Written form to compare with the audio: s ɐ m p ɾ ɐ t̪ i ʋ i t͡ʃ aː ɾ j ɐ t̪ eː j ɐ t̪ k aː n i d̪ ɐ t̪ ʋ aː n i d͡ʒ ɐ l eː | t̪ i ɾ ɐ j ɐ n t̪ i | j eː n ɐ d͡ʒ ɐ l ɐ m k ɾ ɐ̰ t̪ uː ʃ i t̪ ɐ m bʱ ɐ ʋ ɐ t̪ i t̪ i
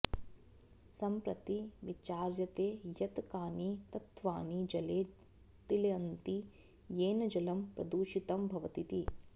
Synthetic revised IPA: s ɐ m p ɾ ɐ t̪ i ʋ i t͡ʃ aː ɾ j ɐ t̪ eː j ɐ t̪ k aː n i t̪ ɐ t̪ ʋ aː n i d͡ʒ ɐ l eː | t̪ i l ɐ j ɐ n t̪ i | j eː n ɐ d͡ʒ ɐ l ɐ m p ɾ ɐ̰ d̪ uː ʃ i t̪ ɐ m bʱ ɐ ʋ ɐ t̪ i t̪ i